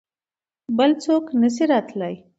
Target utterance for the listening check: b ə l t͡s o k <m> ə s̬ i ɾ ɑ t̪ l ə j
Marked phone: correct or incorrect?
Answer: incorrect